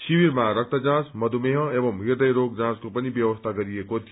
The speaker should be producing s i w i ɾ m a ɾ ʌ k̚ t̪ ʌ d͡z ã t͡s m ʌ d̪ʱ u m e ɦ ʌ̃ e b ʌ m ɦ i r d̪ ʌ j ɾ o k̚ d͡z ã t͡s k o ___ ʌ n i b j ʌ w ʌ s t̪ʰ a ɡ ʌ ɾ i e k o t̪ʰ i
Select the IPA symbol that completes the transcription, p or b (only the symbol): p